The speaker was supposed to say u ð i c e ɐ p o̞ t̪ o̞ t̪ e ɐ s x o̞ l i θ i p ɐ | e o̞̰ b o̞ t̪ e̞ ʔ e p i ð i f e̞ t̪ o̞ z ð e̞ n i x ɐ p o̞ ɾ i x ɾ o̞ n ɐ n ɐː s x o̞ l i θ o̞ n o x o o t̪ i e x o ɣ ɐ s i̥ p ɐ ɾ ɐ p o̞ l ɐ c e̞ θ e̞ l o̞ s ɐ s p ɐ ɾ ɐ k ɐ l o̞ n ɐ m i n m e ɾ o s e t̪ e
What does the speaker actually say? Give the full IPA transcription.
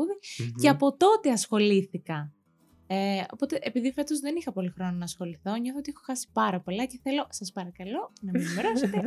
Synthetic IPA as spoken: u ð i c e ɐ p o̞ t̪ o̞ t̪ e ɐ s x o̞ l i θ i k ɐ | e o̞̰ p o̞ t̪ e̞ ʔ e p i ð i f e̞ t̪ o̞ z ð e̞ n i x ɐ p o̞ l i x ɾ o̞ n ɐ n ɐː s x o̞ l i θ o̞ ɲ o θ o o t̪ i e x o x ɐ s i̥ p ɐ ɾ ɐ p o̞ l ɐ c e̞ θ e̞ l o̞ s ɐ s p ɐ ɾ ɐ k ɐ l o̞ n ɐ m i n m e ɾ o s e t̪ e